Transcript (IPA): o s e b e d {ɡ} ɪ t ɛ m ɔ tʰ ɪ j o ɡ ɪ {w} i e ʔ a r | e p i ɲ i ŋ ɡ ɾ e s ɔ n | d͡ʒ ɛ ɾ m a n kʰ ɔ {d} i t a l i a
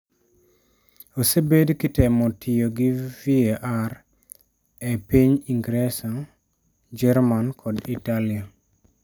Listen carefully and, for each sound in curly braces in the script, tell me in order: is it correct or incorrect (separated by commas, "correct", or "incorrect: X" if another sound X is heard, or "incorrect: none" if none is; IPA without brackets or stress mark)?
incorrect: k, incorrect: v, correct